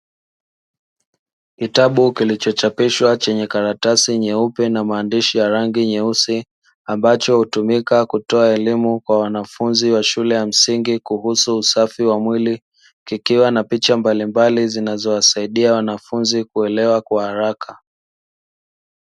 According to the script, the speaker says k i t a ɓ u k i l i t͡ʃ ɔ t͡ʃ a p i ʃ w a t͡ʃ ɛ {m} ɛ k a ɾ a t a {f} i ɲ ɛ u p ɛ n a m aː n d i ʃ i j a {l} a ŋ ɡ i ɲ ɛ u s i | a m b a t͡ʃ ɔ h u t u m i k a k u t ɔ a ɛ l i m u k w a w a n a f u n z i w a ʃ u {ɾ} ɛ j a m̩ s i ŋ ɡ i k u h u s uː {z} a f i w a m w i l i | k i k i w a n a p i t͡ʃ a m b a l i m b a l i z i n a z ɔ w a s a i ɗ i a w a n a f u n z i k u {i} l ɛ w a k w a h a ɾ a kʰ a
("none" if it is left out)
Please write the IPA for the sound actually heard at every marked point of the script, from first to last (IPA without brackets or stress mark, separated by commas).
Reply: ɲ, s, ɾ, l, s, ɛ